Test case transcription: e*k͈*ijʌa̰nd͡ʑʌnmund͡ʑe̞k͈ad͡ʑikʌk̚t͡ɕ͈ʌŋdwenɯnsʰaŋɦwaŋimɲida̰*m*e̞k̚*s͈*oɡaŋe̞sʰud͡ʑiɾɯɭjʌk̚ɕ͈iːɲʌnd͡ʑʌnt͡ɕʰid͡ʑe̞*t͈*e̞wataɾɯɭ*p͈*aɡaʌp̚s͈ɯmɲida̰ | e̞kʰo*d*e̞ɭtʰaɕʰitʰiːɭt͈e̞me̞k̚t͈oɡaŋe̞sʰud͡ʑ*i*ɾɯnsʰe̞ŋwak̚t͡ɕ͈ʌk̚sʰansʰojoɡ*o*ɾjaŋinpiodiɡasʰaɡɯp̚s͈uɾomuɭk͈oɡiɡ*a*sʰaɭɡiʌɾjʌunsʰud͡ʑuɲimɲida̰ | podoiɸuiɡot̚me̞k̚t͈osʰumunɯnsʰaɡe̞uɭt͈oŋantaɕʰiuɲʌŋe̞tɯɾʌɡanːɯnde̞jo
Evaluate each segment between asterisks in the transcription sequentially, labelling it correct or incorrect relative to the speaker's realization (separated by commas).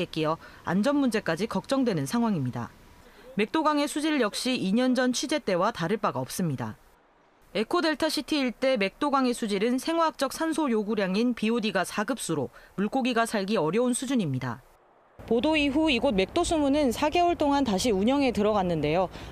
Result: correct, correct, incorrect, correct, correct, correct, correct, incorrect, correct